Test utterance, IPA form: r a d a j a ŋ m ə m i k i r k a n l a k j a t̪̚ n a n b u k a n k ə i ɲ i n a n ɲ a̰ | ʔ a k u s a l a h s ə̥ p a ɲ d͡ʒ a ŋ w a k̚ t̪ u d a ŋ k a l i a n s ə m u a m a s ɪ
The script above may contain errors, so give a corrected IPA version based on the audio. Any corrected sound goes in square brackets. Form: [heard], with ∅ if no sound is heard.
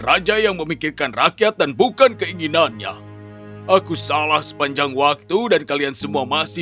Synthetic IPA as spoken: r a [d͡ʒ] a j a ŋ m ə m i k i r k a n [r] a k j a t̪̚ [d] a n b u k a n k ə i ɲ i n a n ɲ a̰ | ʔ a k u s a l a h s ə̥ p a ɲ d͡ʒ a ŋ w a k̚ t̪ u d a [n] k a l i a n s ə m u a m a s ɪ